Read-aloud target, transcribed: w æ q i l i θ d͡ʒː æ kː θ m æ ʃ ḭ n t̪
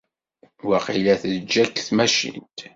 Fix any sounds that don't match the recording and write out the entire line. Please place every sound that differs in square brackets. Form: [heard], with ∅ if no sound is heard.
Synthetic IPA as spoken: w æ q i l [æ] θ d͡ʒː æ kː θ m æ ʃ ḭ n t̪